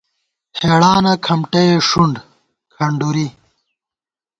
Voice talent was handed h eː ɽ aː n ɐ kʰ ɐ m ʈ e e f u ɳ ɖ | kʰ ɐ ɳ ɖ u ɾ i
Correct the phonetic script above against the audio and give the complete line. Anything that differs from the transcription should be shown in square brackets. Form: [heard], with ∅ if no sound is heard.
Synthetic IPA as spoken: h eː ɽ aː n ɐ kʰ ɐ m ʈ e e [ʂ] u ɳ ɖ | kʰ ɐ ɳ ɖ u ɾ i